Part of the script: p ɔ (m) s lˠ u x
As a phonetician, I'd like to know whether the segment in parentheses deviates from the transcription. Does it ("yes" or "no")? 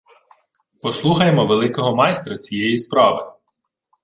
yes